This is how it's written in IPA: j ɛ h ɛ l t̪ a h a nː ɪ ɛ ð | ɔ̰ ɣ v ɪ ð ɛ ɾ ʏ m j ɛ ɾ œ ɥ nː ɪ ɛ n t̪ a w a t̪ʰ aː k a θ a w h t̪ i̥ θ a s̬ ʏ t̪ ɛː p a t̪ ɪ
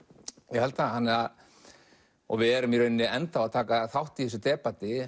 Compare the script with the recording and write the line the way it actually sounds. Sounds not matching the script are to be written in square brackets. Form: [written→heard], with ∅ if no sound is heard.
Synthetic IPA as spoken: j ɛ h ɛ l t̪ a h a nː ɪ [ɛ→a] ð | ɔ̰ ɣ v ɪ ð ɛ ɾ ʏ m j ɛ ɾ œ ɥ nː ɪ ɛ n t̪ a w a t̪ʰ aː k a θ a w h t̪ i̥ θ [a→ɛ] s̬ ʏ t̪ ɛː p a t̪ ɪ